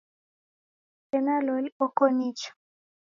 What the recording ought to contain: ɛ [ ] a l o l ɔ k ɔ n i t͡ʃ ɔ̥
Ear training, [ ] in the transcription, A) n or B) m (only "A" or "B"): A